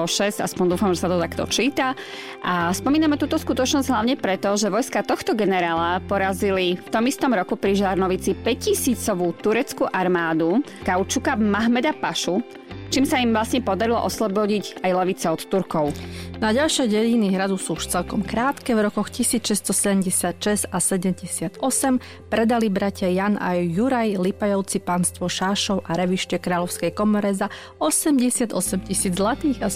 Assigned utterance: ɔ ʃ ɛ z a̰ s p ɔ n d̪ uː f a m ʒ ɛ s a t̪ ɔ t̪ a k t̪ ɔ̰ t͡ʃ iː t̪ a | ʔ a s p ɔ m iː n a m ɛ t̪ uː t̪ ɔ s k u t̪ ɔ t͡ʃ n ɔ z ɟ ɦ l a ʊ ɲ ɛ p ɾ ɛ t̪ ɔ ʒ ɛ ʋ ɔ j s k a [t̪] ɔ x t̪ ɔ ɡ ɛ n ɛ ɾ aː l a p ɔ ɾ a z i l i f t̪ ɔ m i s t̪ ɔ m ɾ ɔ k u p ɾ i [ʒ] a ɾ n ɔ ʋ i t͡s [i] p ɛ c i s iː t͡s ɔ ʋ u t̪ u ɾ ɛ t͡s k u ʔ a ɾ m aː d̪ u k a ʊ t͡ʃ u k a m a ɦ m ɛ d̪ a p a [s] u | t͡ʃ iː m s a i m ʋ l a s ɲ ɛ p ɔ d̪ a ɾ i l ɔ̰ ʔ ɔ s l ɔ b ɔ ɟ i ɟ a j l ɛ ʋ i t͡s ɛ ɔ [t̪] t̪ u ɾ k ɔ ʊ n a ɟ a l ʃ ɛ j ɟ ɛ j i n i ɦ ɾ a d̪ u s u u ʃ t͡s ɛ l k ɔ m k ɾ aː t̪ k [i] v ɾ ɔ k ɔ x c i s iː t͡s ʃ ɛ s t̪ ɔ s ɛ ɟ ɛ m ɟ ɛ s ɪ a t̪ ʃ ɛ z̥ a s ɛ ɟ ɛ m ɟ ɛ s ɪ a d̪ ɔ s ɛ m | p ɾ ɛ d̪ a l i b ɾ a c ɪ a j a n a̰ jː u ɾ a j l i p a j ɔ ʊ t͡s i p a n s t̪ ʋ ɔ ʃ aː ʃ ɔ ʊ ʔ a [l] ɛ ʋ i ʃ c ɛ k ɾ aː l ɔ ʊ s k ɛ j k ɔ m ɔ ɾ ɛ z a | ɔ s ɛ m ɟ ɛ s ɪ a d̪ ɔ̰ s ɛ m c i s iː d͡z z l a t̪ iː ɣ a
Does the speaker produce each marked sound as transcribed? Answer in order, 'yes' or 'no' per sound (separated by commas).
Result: yes, yes, yes, no, yes, no, no